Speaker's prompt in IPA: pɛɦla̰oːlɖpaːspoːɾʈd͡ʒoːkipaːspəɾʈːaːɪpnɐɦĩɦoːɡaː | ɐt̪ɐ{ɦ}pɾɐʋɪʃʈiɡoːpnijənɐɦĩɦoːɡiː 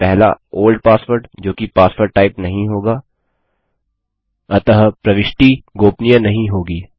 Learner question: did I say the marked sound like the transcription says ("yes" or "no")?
yes